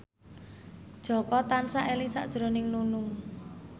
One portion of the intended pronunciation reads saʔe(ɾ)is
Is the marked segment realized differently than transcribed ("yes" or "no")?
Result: yes